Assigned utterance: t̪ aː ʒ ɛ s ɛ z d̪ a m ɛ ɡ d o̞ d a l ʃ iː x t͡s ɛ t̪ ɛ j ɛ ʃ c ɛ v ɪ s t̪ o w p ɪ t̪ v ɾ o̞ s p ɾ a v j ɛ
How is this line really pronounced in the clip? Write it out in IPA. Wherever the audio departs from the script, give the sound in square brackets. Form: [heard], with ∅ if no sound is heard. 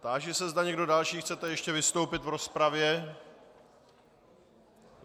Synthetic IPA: t̪ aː ʒ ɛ s ɛ z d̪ a [ɲ] ɛ ɡ d o̞ d a l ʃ iː x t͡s ɛ t̪ ɛ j ɛ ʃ c ɛ v ɪ s t̪ o w p ɪ t̪ v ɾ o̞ s p ɾ a v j ɛ